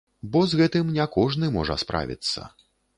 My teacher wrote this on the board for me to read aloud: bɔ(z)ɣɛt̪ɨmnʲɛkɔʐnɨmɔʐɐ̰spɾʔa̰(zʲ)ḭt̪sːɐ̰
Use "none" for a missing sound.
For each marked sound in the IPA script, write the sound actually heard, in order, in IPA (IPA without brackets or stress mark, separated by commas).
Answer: z, vʲ